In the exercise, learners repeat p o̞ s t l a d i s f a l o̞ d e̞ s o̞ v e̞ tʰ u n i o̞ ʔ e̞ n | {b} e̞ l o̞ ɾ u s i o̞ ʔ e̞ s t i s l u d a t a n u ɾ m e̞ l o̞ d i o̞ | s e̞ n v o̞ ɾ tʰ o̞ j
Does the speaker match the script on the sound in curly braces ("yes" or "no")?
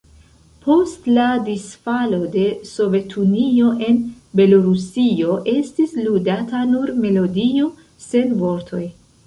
yes